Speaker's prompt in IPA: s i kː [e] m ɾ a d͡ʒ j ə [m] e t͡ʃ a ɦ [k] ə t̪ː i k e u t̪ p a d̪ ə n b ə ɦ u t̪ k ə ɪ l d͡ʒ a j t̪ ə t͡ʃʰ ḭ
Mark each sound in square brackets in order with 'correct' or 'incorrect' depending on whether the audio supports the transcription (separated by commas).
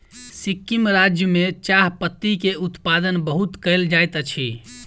incorrect, correct, incorrect